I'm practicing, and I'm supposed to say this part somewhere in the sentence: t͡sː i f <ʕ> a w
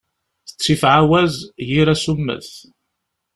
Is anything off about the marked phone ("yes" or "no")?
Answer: no